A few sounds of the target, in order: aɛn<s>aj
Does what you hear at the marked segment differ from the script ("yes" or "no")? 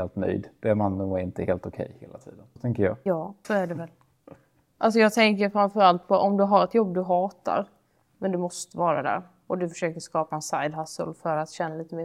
no